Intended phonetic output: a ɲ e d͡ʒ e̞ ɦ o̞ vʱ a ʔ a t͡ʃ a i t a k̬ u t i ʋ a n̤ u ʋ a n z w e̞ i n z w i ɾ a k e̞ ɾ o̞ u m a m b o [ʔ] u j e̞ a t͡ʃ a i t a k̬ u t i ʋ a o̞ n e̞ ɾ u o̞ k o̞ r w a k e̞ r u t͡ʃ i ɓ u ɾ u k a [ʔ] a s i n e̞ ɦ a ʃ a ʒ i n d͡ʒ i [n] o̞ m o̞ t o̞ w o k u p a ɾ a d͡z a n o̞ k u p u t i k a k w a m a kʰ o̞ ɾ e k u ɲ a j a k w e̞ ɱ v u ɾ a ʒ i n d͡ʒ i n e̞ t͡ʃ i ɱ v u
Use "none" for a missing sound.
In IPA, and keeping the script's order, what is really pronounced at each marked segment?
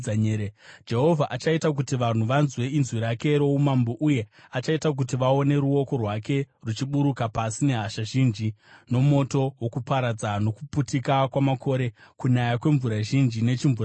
ʔ, p, n

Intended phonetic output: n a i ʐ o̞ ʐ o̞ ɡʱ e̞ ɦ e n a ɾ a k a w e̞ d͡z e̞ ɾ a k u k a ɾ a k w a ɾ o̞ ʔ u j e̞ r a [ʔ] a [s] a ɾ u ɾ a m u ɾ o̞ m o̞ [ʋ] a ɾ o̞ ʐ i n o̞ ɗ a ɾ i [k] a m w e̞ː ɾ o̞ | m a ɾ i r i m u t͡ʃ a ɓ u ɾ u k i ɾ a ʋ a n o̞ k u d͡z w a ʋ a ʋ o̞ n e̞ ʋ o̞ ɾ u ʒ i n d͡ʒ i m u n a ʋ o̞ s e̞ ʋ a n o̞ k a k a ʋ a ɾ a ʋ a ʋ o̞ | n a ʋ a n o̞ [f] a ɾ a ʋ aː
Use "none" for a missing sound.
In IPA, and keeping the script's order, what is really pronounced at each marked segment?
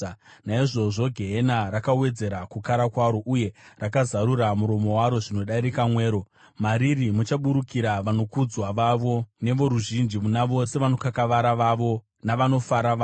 k, z, w, k, f

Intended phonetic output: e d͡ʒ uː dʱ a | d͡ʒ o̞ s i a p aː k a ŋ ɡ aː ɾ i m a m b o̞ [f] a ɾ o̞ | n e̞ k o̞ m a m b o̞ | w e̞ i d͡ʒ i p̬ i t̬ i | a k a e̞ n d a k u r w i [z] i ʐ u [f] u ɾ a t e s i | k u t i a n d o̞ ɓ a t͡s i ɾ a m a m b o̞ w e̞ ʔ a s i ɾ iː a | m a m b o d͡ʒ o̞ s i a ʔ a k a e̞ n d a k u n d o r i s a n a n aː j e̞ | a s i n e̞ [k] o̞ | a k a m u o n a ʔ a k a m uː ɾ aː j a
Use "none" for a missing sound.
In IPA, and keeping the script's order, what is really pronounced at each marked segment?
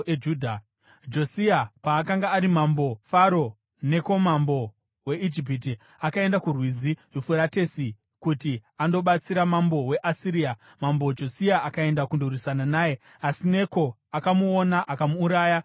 f, z, f, k

